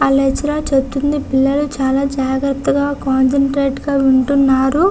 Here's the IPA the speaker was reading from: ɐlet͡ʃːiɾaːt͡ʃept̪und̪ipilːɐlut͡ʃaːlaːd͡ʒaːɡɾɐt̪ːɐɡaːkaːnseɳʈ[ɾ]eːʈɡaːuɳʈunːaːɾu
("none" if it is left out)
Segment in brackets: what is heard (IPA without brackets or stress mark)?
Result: ɾ